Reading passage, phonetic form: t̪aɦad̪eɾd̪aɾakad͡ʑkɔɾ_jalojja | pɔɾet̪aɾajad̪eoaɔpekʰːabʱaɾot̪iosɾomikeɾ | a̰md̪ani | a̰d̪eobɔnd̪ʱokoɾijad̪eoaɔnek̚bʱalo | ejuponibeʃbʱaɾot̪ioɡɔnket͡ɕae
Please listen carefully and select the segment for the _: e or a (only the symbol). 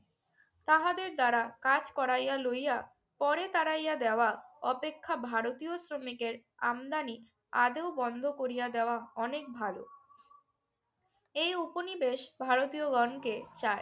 a